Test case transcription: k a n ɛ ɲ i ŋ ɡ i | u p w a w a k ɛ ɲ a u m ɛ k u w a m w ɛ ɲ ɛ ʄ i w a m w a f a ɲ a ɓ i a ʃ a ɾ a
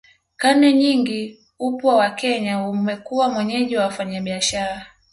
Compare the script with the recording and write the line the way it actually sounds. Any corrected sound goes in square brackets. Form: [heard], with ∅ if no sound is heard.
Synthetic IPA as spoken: k a n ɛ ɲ i ŋ ɡ i | u p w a w a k ɛ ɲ a u m ɛ k u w a m w ɛ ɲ ɛ ʄ i w a [∅] w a f a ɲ a ɓ i a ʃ a ɾ a